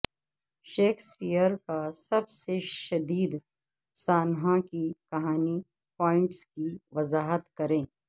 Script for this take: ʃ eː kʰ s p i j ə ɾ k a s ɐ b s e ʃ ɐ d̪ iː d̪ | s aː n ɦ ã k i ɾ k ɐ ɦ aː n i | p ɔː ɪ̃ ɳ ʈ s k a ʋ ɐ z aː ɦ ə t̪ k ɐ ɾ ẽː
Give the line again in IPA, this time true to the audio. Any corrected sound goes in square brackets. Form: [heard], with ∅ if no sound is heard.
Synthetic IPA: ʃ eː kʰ s p i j ə ɾ k a s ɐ b s e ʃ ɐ d̪ iː d̪ | s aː n ɦ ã k i [∅] k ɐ ɦ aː n i | p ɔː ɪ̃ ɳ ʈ s k [i] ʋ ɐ z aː ɦ ə t̪ k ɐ ɾ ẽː